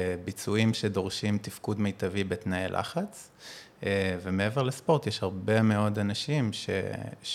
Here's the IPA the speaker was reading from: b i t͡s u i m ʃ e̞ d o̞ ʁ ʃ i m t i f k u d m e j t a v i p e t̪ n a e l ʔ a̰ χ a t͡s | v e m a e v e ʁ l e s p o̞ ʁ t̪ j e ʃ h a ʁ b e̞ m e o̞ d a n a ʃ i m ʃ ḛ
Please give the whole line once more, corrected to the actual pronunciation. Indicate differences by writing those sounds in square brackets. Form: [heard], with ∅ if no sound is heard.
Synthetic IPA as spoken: b i t͡s u i m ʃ e̞ d o̞ ʁ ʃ i m t i f k u d m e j t a v i [b] e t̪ n a e l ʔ a̰ χ a t͡s | v e m [e] e v e ʁ l e s p o̞ ʁ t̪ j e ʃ h a ʁ b e̞ m e o̞ d a n a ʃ i m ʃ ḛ